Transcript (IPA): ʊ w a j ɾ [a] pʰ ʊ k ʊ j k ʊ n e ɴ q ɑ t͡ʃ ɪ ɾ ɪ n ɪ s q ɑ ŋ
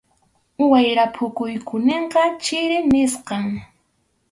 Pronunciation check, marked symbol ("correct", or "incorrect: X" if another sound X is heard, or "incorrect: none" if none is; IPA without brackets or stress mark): correct